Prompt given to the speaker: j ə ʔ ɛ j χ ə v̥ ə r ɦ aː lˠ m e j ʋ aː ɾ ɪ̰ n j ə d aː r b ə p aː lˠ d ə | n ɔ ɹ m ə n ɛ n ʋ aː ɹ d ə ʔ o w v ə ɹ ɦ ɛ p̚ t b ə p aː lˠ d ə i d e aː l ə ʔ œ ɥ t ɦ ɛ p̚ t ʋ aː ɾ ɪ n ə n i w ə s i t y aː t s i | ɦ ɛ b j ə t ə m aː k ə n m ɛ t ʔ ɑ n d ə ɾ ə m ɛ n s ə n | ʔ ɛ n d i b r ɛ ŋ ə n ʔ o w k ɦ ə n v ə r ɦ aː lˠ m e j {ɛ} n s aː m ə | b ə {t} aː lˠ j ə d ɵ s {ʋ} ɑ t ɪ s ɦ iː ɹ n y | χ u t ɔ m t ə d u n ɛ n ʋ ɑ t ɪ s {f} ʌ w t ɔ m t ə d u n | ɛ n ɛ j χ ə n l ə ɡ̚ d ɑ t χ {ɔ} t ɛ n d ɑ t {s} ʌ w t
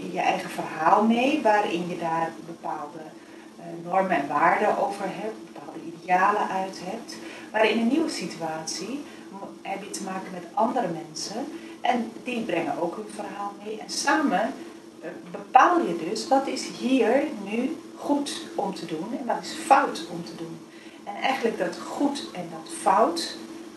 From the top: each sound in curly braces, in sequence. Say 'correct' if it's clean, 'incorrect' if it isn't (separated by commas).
correct, incorrect, correct, correct, incorrect, incorrect